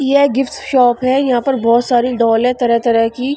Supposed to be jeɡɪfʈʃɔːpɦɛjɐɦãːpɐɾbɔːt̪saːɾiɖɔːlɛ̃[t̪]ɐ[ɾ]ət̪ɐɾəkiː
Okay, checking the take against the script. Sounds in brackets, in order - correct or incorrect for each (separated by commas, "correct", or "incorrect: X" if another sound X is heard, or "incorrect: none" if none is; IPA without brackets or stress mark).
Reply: correct, correct